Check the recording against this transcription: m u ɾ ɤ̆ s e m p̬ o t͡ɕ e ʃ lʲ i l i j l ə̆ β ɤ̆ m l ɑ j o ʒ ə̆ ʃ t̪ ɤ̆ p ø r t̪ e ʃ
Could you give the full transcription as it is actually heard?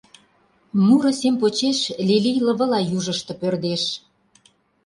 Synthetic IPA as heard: m u ɾ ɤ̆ s e m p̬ o t͡ɕ e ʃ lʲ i l i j l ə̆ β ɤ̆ l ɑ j u ʒ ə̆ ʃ t̪ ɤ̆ p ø r d̪ e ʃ